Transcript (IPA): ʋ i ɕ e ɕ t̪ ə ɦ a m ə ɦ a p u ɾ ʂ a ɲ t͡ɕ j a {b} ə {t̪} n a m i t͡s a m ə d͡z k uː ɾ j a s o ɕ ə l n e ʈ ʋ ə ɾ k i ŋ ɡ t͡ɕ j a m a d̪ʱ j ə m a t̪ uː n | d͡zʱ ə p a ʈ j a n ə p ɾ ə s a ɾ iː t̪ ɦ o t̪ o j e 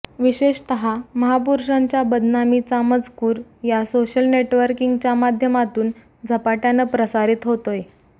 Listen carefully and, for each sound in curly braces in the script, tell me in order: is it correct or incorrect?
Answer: correct, incorrect: d̪

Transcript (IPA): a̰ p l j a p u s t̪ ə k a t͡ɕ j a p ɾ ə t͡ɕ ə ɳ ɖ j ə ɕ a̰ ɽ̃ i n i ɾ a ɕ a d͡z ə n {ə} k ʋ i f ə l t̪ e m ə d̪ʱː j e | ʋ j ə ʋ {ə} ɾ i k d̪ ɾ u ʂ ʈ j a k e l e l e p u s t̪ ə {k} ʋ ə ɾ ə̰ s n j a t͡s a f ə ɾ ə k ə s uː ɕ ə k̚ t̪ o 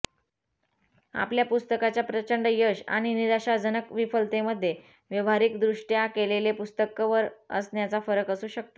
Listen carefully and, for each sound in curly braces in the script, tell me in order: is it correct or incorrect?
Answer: correct, incorrect: a, correct

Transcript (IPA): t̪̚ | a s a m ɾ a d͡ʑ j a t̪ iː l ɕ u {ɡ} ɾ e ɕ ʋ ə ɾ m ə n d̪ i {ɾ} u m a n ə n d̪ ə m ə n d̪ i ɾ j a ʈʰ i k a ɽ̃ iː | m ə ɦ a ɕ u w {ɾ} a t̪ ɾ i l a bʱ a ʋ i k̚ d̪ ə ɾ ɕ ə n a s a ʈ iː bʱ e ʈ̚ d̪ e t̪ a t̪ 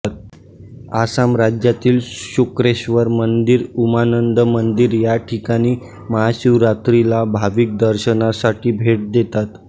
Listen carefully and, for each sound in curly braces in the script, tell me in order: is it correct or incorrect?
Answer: incorrect: k, correct, correct

